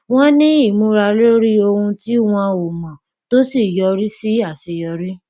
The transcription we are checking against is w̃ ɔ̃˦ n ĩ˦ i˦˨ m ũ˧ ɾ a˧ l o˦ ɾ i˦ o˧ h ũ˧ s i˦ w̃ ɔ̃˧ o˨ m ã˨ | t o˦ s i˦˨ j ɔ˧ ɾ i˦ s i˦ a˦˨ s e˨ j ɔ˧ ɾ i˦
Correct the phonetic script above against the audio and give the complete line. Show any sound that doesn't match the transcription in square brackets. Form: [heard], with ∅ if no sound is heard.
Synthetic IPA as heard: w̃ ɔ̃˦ n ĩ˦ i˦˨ m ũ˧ ɾ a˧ l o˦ ɾ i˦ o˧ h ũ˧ [t] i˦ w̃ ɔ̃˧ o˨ m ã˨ | t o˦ s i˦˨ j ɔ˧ ɾ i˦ s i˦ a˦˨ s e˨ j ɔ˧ ɾ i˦